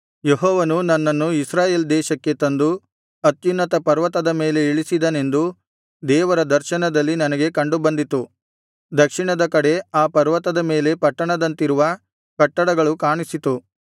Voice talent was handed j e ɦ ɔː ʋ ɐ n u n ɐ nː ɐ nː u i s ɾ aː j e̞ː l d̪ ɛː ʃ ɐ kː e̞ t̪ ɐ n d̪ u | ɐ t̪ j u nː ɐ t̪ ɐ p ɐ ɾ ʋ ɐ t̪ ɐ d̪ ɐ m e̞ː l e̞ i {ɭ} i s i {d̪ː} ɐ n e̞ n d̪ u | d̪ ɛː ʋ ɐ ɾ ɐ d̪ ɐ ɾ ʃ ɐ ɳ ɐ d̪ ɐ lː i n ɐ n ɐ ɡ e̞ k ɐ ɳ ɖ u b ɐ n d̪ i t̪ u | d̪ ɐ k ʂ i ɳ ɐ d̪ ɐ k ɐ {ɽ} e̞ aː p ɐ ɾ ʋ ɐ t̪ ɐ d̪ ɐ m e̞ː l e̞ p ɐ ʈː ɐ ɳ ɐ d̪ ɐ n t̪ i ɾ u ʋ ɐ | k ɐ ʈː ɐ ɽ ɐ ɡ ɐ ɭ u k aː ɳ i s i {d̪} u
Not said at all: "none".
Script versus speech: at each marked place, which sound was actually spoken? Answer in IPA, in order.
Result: ɭ, d̪, ɽ, t̪

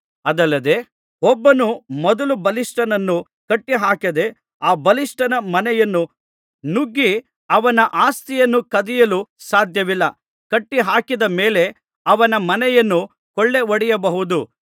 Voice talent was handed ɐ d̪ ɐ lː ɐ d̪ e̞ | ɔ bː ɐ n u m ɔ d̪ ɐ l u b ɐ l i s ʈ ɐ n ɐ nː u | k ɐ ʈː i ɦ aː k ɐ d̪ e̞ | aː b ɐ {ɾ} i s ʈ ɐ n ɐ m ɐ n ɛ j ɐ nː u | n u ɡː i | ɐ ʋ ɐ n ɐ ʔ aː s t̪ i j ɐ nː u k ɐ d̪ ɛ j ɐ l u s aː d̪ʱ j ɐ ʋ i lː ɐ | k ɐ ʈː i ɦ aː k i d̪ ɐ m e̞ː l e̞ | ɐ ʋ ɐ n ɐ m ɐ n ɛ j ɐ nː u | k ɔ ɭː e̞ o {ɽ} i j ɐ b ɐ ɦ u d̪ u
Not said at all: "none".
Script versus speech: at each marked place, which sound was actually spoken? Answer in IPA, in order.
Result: l, ɽ

